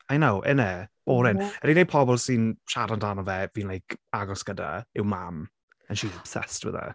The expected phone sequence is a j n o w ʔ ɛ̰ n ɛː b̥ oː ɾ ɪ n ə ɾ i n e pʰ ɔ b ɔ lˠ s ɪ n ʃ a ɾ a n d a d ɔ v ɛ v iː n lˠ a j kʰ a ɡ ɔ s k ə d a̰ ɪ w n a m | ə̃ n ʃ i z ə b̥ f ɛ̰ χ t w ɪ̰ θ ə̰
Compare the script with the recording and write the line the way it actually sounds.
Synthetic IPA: a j n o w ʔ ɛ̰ n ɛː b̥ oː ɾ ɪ n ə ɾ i n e pʰ ɔ b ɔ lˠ s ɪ n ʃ a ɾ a n d a n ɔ v ɛ v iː n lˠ a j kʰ a ɡ ɔ s k ə d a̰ ɪ w m a m | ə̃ n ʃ i z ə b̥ s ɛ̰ s t w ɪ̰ ð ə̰